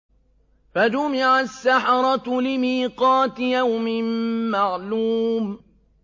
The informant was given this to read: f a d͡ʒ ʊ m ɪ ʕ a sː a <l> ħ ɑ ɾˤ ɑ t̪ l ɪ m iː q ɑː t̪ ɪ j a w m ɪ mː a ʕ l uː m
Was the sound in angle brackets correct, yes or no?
no